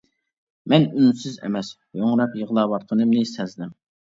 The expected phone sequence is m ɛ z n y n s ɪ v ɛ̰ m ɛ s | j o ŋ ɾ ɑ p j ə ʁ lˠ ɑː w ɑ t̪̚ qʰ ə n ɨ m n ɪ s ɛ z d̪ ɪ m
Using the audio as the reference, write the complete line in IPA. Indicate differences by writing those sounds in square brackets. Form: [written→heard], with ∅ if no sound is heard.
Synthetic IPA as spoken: m ɛ [z→∅] n y n s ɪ [v→z] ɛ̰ m ɛ s | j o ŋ ɾ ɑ p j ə ʁ lˠ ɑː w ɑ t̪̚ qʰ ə n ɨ m n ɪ s ɛ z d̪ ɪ m